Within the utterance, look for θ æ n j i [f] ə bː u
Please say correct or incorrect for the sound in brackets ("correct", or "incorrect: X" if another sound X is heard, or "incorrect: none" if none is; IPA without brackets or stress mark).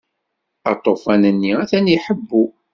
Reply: incorrect: ħ